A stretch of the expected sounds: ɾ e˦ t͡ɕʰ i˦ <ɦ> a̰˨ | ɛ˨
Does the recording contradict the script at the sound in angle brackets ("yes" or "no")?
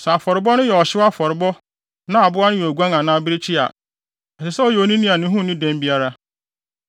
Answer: yes